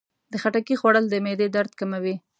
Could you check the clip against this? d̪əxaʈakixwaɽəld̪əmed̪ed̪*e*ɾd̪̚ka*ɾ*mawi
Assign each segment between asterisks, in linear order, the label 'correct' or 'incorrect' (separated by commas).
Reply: incorrect, incorrect